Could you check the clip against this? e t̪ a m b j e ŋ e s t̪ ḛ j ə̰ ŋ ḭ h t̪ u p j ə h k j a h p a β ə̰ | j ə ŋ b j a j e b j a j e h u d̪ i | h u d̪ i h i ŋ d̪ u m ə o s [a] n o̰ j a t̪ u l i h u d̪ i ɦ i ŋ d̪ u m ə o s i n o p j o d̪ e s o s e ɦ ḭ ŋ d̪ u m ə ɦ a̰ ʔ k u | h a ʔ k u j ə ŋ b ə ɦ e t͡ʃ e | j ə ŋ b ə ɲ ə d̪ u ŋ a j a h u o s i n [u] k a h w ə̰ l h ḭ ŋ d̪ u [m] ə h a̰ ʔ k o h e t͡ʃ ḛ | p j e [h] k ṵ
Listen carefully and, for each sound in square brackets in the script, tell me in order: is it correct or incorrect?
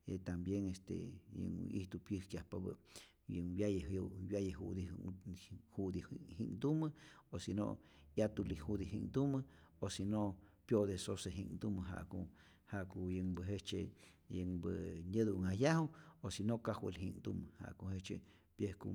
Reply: incorrect, incorrect, correct, correct

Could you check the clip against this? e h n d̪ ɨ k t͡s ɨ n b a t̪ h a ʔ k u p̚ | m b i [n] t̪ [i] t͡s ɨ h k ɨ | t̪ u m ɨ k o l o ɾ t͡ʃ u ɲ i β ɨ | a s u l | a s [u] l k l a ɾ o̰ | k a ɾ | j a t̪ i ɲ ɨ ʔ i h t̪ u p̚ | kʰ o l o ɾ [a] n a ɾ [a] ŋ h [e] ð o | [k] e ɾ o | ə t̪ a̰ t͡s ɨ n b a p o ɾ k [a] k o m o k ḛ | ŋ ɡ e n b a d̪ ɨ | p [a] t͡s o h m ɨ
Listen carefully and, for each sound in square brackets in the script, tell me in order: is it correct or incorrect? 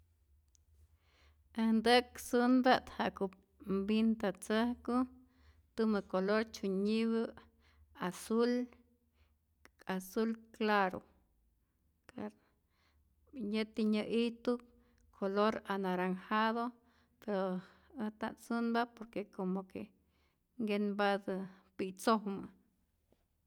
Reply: correct, incorrect, correct, correct, correct, incorrect, incorrect, incorrect, incorrect

